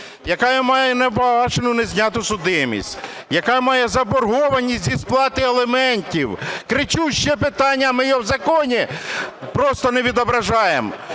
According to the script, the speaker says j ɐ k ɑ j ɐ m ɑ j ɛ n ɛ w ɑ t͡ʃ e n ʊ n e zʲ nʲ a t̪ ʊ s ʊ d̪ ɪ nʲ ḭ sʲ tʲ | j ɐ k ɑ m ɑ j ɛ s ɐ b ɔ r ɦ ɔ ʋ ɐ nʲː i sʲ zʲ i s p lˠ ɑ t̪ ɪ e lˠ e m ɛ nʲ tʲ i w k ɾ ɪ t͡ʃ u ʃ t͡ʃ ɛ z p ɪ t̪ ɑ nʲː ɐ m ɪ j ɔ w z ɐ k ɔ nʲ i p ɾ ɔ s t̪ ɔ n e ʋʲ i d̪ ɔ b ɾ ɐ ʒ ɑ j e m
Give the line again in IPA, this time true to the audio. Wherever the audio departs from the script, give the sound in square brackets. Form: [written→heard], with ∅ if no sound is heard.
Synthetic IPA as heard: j ɐ k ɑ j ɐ m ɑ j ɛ n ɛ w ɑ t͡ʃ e n ʊ n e zʲ nʲ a t̪ ʊ s ʊ d̪ ɪ [nʲ→mʲ] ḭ sʲ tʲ | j ɐ k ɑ m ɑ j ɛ [s→z] ɐ b ɔ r ɦ ɔ ʋ ɐ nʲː i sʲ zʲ i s p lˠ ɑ t̪ ɪ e lˠ e m ɛ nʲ tʲ i w k ɾ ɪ t͡ʃ u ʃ t͡ʃ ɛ [z→∅] p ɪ t̪ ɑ nʲː ɐ m ɪ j ɔ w z ɐ k ɔ nʲ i p ɾ ɔ s t̪ ɔ n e ʋʲ i d̪ ɔ b ɾ ɐ ʒ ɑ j e m

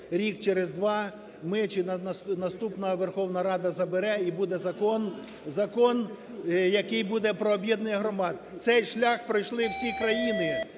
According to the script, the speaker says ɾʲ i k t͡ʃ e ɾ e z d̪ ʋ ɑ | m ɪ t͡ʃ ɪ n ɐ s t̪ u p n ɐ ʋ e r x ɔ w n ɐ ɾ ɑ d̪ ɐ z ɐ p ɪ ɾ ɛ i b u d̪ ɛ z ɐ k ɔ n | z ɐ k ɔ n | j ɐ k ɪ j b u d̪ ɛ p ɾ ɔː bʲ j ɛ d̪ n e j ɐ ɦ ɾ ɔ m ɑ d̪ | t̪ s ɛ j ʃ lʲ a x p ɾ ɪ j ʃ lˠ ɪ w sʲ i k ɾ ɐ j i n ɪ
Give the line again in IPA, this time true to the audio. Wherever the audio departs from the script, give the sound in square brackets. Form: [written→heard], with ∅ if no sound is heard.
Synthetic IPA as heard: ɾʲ i k t͡ʃ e ɾ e z d̪ ʋ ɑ | m ɪ t͡ʃ ɪ n ɐ s t̪ u p n ɐ ʋ e r x ɔ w n ɐ ɾ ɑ d̪ ɐ z ɐ [p→b] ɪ ɾ ɛ i b u d̪ ɛ z ɐ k ɔ n | z ɐ k ɔ n | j ɐ k ɪ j b u d̪ ɛ p ɾ ɔː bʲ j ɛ d̪ n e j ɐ ɦ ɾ ɔ m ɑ d̪ | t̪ s ɛ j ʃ lʲ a x p ɾ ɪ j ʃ lˠ ɪ w sʲ i k ɾ ɐ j i n ɪ

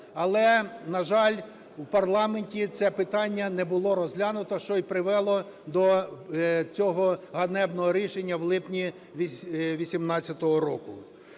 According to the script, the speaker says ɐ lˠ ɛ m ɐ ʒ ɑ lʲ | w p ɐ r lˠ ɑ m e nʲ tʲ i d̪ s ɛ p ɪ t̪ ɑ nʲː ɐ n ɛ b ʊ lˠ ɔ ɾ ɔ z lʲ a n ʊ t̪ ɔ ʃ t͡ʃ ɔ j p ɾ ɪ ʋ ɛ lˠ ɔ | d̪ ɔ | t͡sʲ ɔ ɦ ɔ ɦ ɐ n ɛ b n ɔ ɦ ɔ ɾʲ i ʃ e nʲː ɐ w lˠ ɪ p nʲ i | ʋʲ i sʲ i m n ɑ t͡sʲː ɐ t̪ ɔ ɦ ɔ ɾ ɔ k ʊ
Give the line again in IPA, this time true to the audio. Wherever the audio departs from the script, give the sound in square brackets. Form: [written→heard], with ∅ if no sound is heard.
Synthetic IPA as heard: ɐ lˠ ɛ [m→n] ɐ ʒ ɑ lʲ | w p ɐ r lˠ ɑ m e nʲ tʲ i [d̪→t̪] s ɛ p ɪ t̪ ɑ nʲː ɐ n ɛ b ʊ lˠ ɔ ɾ ɔ z lʲ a n ʊ t̪ ɔ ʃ t͡ʃ ɔ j p ɾ ɪ ʋ ɛ lˠ ɔ | d̪ ɔ | t͡sʲ ɔ ɦ ɔ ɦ ɐ n ɛ b n ɔ ɦ ɔ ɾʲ i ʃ e nʲː ɐ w lˠ ɪ p nʲ i | ʋʲ i sʲ i m n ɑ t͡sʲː ɐ t̪ ɔ ɦ ɔ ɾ ɔ k ʊ

